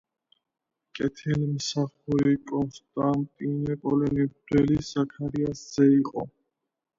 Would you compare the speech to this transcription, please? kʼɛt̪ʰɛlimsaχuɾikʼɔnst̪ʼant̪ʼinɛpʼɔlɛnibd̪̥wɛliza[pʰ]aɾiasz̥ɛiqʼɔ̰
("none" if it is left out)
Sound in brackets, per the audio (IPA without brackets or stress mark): kʰ